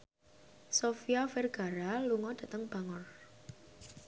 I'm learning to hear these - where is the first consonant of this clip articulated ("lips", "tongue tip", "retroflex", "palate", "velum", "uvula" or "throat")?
tongue tip